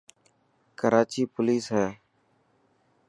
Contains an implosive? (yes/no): no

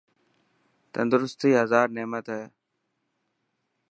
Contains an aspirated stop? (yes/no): no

